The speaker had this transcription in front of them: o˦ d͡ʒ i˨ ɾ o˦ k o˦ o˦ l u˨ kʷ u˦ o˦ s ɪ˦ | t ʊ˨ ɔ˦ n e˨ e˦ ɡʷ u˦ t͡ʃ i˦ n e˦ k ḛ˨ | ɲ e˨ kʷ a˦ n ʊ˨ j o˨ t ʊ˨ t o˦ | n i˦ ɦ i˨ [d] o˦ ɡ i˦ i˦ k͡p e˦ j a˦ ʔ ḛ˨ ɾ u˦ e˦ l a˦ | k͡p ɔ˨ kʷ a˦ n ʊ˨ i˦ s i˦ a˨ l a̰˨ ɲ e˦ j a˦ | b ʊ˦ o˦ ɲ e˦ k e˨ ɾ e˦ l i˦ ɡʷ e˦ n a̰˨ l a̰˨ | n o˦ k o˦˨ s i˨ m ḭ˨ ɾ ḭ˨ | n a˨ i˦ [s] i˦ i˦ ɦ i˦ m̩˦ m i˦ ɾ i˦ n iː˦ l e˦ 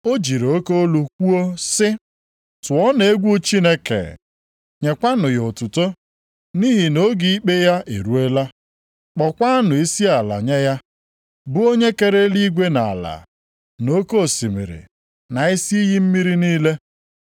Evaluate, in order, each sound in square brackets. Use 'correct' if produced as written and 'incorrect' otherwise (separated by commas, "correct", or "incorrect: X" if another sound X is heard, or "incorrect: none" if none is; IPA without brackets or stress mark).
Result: incorrect: n, correct